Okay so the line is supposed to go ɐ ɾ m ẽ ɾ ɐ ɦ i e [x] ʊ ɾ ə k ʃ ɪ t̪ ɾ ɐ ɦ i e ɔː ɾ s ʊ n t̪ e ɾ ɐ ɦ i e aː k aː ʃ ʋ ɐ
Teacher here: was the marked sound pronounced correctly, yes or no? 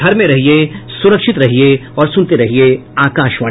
no